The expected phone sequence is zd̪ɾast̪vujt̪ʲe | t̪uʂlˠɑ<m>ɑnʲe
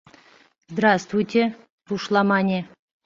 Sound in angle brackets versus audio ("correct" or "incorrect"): correct